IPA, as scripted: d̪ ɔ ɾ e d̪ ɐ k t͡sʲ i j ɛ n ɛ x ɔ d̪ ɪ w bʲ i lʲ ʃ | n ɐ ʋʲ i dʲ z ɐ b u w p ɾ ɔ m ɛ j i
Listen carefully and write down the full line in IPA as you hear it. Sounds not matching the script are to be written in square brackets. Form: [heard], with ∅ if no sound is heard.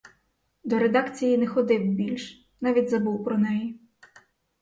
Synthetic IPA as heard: d̪ ɔ ɾ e d̪ [ɑ] k t͡sʲ i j [i] n ɛ x ɔ d̪ ɪ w bʲ i lʲ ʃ | n [ɑ] ʋʲ i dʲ z ɐ b u w p ɾ ɔ [n] ɛ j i